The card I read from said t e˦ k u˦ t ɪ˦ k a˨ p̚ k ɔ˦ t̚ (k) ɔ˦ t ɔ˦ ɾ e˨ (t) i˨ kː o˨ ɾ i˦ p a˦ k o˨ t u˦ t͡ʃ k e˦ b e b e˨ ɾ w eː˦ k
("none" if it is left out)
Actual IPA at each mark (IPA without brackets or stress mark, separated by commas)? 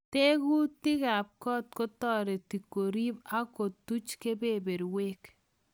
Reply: k, t